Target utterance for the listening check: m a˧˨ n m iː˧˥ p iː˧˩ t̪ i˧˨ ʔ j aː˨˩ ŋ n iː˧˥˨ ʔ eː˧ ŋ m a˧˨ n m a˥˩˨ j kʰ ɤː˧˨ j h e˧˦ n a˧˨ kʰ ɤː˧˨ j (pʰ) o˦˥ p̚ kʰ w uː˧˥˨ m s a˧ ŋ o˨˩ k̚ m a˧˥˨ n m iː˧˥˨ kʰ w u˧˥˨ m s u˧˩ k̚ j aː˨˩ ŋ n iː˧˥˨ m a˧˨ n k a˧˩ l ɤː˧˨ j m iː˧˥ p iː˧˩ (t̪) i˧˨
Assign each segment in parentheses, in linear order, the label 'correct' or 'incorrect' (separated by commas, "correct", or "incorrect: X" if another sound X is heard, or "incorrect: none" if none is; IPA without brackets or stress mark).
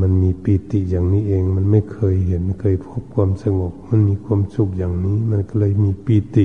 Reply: correct, correct